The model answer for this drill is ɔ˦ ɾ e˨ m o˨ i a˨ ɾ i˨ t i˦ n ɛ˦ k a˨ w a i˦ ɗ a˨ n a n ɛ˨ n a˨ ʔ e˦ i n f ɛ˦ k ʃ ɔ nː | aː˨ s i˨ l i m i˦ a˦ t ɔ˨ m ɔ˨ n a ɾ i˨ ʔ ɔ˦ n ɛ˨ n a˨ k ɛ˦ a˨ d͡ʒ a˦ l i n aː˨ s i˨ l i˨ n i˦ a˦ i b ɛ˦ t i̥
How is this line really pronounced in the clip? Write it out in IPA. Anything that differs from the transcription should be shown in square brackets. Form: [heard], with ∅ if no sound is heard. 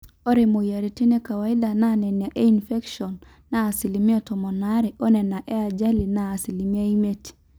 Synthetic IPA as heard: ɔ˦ ɾ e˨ m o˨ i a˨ ɾ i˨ t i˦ n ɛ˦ k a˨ w a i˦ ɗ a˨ n a n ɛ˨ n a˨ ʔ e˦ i n f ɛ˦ k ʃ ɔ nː | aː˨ s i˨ l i m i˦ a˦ t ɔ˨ m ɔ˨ n a ɾ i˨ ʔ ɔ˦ n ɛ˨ n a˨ [ʔ] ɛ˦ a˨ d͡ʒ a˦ l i n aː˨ s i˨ l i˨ [m] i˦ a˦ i [m] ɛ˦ t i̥

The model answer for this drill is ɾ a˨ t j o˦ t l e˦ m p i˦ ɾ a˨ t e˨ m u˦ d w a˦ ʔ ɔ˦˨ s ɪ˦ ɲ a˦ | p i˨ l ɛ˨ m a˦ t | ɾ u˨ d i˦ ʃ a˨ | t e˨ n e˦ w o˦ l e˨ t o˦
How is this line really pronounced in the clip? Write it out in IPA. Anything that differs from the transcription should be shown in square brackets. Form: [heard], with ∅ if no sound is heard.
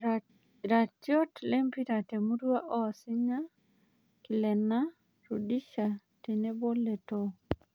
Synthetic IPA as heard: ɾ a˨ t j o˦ t l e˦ m p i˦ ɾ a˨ t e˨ m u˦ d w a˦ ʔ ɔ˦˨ s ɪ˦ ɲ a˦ | [k] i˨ l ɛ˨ [n] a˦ [∅] | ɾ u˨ d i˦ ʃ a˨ | t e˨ n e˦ [b] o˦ l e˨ t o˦

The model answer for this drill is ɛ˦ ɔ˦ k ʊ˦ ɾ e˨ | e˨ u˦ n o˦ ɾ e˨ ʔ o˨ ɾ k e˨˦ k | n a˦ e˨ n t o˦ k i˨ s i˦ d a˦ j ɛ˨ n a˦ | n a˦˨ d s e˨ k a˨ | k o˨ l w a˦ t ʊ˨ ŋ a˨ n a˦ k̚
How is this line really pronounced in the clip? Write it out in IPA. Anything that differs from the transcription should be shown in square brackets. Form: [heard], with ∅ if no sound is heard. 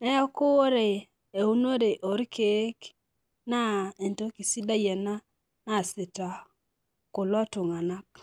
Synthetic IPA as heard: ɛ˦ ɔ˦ k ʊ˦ ɾ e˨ | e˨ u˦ n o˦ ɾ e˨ ʔ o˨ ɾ k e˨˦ k | n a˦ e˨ n t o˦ k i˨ s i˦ d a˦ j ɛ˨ n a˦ | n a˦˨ [∅] s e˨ [t] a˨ | k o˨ l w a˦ t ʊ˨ ŋ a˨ n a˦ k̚

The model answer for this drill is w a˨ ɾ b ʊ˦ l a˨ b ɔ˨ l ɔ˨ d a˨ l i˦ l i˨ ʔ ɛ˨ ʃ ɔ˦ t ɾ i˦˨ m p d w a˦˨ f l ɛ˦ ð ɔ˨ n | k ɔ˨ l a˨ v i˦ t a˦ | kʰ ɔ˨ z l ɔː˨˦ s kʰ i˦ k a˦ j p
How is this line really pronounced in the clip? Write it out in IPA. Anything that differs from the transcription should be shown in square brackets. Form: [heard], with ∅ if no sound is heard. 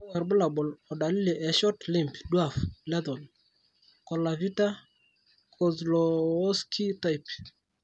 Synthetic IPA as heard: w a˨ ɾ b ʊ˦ l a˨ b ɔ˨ l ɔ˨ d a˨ l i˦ l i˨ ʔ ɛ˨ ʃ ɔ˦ t [l] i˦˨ m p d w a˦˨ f l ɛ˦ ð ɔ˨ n | k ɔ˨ l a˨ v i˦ t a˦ | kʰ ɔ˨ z l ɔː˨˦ s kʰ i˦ [t] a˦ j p

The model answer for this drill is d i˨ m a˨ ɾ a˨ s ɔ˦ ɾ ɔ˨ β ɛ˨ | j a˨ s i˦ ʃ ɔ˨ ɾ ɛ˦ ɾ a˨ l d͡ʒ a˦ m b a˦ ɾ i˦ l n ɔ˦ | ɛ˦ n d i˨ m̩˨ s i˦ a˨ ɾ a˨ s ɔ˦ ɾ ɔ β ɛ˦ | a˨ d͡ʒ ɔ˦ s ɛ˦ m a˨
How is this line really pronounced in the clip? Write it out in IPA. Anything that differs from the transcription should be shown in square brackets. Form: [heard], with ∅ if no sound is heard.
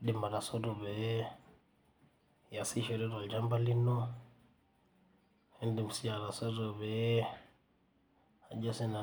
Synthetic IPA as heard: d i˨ m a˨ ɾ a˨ s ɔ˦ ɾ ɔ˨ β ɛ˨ | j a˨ s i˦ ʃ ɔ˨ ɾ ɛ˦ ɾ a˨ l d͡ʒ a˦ m b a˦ [l] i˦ [∅] n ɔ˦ | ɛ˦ n d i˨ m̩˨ s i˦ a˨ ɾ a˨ s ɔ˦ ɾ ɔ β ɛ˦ | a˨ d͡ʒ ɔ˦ s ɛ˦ [n] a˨

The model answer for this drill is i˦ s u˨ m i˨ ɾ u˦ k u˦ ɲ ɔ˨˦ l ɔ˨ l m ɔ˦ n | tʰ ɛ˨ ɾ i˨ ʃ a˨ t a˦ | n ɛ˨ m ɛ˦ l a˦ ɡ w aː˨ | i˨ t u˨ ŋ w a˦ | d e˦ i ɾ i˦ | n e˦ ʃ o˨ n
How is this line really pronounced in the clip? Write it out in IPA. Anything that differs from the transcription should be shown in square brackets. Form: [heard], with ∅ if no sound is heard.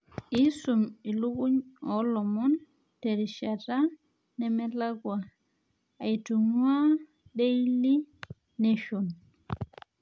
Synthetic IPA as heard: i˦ s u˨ m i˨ [l] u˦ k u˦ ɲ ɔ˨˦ l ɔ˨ [∅] m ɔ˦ n | [t] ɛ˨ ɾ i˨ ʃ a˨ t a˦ | n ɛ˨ m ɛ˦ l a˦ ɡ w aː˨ | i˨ t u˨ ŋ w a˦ | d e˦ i [l] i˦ | n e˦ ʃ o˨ n

